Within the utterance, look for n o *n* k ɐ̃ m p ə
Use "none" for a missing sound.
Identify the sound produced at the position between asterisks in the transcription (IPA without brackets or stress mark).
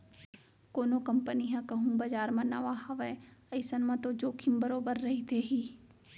none